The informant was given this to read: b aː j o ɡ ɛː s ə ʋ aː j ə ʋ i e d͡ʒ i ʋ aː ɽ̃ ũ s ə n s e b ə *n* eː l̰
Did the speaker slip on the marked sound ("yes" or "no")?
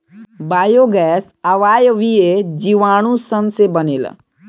no